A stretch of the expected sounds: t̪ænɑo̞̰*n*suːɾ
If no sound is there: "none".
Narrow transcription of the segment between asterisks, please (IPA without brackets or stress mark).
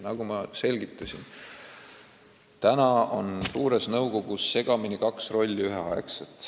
n